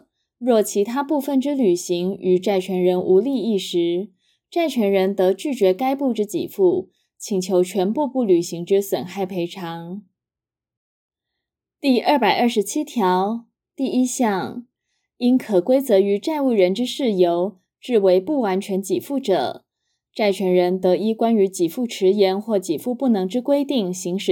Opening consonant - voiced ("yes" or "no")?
yes